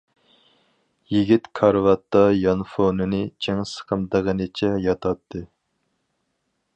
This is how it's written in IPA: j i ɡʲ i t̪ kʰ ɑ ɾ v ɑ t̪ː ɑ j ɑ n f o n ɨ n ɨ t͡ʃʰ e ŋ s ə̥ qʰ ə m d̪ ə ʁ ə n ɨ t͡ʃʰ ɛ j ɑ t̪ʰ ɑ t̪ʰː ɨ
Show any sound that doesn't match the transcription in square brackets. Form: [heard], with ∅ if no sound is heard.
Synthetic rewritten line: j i ɡʲ i t̪ kʰ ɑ ɾ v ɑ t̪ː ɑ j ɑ n f o n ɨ n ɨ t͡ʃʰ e ŋ s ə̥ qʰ ə m d̪ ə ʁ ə n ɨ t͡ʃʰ ɛ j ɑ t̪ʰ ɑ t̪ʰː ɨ